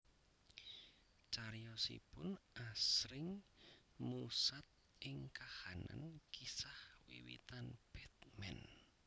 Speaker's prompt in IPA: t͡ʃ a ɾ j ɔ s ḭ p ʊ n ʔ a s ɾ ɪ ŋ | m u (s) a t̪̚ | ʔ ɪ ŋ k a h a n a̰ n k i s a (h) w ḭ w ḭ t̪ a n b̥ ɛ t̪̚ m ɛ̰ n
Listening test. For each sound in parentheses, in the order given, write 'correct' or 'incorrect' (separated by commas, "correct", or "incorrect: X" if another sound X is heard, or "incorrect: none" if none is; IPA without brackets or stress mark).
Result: correct, correct